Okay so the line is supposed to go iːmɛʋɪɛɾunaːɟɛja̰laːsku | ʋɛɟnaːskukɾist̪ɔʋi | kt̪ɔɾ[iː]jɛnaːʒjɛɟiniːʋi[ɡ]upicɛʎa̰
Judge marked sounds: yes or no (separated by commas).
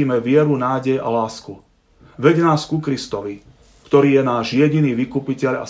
yes, no